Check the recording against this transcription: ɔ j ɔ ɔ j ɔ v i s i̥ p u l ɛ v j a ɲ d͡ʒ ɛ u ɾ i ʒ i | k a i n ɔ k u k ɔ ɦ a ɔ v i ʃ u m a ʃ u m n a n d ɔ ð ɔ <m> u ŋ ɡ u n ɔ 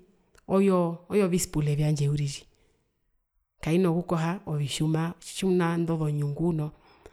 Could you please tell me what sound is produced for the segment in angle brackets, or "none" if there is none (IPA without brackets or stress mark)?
ɲ